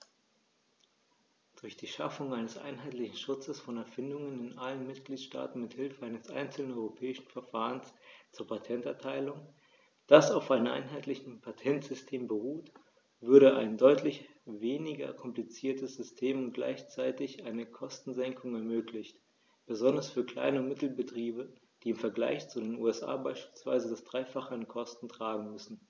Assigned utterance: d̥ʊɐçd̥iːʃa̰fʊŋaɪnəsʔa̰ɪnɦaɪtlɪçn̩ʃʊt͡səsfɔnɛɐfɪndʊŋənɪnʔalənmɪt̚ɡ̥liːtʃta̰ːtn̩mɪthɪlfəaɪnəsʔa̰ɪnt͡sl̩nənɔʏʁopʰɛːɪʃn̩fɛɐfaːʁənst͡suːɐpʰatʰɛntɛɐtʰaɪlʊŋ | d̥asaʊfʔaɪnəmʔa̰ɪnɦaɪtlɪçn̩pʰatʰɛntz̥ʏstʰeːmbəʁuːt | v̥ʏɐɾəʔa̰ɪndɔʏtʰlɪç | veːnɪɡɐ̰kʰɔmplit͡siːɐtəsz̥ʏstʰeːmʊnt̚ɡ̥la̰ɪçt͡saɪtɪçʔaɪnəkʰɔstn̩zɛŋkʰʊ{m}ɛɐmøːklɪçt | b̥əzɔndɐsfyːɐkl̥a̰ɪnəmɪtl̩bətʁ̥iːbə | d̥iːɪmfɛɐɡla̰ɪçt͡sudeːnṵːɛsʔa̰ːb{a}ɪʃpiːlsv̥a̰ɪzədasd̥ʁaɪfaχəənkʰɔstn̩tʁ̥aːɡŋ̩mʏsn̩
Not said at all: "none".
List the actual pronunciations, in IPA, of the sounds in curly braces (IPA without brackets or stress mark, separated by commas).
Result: ŋ, a